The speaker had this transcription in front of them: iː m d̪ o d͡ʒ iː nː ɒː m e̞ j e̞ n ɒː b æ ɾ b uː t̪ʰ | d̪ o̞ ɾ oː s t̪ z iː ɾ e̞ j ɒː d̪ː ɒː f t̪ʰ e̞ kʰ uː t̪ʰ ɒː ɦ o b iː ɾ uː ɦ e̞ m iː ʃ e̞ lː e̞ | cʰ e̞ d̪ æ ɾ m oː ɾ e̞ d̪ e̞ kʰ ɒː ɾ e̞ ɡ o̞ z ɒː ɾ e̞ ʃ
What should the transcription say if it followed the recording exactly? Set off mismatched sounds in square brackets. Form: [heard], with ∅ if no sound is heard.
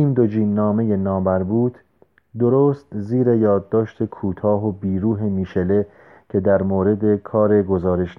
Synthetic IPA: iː m d̪ o d͡ʒ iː nː ɒː m e̞ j e̞ n ɒː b æ ɾ b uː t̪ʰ | d̪ o̞ ɾ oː s t̪ z iː ɾ e̞ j ɒː d̪ː ɒː [ʃ] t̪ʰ e̞ kʰ uː t̪ʰ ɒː ɦ o b iː ɾ uː ɦ e̞ m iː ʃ e̞ [l] e̞ | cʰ e̞ d̪ æ ɾ m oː ɾ e̞ d̪ e̞ kʰ ɒː ɾ e̞ ɡ o̞ z ɒː ɾ e̞ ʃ